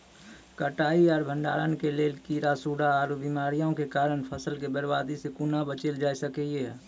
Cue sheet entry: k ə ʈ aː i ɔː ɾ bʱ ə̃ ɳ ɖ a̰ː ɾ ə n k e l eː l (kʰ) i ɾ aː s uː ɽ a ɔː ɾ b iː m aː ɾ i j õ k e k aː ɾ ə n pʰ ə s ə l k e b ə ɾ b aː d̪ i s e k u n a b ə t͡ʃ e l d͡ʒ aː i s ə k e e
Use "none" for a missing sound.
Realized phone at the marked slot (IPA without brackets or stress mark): k